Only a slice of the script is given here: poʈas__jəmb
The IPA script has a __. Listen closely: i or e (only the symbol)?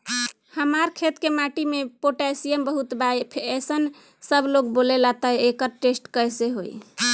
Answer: i